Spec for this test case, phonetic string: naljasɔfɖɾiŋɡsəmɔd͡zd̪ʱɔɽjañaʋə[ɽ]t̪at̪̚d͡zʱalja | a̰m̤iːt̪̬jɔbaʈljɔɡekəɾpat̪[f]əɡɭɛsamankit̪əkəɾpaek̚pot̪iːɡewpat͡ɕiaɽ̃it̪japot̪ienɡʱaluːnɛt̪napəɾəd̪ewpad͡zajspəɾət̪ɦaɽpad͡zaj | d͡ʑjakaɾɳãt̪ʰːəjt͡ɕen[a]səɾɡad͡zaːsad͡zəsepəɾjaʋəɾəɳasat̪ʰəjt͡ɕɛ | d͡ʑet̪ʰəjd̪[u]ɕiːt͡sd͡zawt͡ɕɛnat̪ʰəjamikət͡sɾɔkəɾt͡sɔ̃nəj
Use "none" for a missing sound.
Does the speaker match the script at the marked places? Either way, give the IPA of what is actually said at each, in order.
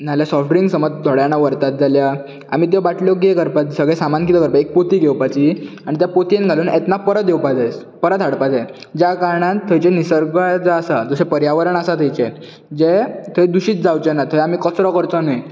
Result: ɾ, s, i, u

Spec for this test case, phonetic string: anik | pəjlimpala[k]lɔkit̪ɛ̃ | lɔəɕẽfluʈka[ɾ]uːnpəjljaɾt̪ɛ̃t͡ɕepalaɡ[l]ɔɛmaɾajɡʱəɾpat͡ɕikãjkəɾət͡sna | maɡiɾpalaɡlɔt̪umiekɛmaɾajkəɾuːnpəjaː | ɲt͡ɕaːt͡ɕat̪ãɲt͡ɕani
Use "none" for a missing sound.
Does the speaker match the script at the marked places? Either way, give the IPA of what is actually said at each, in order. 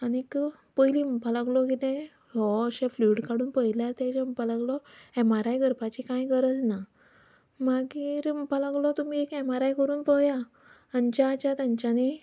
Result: ɡ, ɽ, l

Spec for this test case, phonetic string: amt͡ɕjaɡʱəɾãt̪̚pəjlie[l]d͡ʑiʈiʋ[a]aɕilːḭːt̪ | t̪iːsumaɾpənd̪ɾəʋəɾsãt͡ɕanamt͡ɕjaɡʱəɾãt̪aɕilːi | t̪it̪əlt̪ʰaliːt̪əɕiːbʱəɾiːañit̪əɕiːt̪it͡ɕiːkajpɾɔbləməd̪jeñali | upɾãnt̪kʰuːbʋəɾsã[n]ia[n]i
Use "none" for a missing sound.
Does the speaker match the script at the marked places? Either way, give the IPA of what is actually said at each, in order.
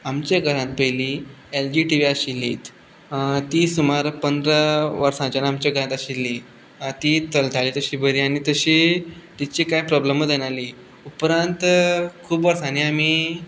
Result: l, i, n, m

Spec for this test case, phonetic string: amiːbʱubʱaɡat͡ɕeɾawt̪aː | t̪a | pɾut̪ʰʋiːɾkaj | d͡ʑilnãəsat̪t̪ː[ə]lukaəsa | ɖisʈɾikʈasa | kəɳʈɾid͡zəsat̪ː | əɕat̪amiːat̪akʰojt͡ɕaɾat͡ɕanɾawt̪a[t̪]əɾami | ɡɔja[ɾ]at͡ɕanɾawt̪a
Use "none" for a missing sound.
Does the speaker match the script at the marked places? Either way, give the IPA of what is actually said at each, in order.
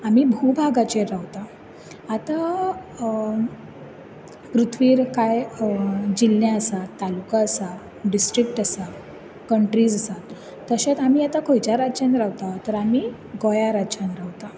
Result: a, t̪, ɾ

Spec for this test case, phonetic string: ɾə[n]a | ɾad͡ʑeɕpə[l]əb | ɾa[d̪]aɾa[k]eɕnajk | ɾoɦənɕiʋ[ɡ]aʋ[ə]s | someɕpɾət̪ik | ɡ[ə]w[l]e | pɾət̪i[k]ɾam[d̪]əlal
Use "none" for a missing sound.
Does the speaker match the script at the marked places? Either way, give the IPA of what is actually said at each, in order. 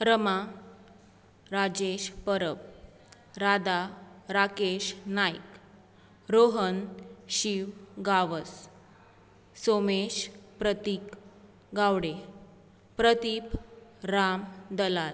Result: m, ɾ, d̪, k, ɡ, ə, a, ɽ, p, d̪

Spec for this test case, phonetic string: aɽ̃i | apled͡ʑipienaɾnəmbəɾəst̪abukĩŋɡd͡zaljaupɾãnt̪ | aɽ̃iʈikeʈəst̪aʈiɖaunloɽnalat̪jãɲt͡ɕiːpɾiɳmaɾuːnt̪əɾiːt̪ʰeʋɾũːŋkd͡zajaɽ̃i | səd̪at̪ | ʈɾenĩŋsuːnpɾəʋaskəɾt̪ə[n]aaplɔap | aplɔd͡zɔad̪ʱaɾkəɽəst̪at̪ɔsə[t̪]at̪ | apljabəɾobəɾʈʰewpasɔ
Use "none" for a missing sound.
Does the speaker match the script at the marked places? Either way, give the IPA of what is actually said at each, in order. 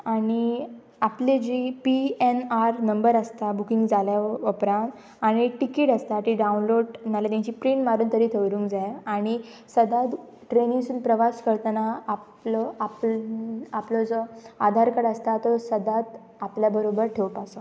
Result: n, d̪

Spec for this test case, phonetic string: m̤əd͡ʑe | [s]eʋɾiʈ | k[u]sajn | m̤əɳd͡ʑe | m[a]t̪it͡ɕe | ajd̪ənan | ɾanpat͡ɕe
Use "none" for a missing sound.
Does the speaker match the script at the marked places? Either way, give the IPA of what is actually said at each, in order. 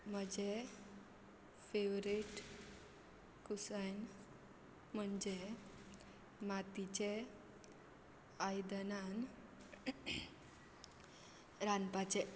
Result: f, u, a

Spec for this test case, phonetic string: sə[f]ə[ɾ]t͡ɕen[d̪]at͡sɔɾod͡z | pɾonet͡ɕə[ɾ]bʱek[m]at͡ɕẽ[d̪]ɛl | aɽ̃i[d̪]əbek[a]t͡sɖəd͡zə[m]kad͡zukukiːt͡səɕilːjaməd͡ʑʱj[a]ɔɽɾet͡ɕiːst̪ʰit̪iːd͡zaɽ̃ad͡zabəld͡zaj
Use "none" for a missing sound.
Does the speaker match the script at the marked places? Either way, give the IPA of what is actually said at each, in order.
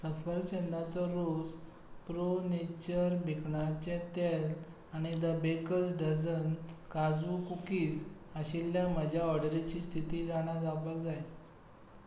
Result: f, ɾ, d̪, ɾ, ɳ, t̪, d̪, ə, n, a

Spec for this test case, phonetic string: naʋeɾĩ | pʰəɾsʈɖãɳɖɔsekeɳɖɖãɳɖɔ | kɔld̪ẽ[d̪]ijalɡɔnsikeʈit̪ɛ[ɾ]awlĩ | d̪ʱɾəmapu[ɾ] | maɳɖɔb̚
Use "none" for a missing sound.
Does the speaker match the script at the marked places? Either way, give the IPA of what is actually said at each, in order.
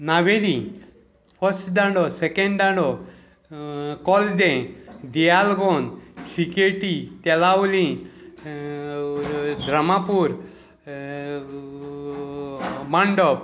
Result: d̪, l, ɾ

